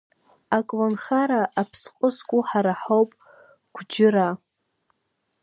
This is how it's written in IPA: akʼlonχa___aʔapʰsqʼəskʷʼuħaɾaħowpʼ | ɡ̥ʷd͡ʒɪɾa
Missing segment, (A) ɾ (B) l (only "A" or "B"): A